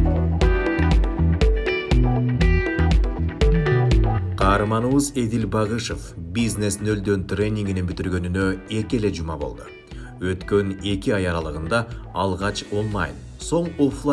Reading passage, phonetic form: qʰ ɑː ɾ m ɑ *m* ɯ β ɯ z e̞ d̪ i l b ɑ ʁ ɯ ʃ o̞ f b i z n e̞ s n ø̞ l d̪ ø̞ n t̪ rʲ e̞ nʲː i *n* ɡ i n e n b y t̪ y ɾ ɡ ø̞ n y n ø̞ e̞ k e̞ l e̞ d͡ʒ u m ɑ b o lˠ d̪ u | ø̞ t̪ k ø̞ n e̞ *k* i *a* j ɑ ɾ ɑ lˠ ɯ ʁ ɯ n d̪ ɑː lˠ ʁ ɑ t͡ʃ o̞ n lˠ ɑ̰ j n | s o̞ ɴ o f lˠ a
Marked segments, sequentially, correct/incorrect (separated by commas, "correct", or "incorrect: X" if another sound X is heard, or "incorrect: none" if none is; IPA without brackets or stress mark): incorrect: n, incorrect: ŋ, correct, incorrect: ɑ